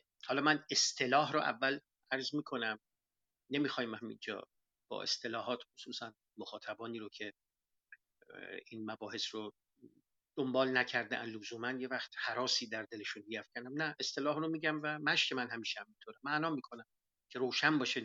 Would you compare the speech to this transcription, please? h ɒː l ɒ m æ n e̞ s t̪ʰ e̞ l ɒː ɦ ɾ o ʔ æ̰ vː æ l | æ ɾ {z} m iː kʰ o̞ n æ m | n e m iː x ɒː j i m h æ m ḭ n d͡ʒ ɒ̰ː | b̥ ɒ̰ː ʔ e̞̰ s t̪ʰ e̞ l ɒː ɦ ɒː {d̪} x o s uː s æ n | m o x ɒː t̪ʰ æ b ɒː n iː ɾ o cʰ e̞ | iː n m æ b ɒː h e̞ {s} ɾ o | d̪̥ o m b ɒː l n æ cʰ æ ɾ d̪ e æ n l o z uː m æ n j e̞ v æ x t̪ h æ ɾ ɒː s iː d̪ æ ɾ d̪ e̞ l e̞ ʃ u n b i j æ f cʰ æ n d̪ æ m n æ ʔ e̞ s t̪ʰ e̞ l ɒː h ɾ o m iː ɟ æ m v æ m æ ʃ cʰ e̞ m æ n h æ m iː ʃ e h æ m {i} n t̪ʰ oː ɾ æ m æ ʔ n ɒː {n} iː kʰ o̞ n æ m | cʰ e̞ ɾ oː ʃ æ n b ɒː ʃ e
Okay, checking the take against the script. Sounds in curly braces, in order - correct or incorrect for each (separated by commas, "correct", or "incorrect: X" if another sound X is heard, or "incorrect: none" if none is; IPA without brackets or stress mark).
correct, incorrect: t̪, correct, correct, incorrect: m